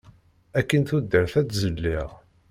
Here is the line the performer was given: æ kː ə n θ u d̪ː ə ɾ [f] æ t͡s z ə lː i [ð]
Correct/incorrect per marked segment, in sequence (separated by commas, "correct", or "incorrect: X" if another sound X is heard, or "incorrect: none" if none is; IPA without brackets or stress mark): incorrect: θ, incorrect: ʁ